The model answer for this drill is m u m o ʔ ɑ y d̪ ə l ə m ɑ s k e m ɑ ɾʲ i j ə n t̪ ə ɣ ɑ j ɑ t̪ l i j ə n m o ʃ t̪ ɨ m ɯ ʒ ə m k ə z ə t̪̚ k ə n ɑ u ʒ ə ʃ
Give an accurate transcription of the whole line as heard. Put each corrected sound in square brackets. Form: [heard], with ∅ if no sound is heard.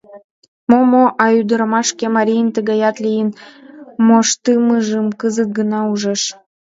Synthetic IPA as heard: m [o] m o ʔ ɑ y d̪ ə [ɾ] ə m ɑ [ʃ] k e m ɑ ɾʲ i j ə n t̪ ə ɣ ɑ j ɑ t̪ l i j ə n m o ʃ t̪ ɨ m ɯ ʒ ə m k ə z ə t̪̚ [ɡ] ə n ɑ u ʒ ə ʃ